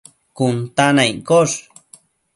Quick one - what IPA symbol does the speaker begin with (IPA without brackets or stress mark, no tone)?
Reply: k